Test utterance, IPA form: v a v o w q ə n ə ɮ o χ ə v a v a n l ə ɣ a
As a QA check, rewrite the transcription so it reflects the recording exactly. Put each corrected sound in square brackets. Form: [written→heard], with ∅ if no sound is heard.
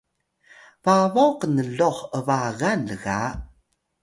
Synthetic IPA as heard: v a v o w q ə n ə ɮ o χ ə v a [v→ɣ] a n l ə ɣ a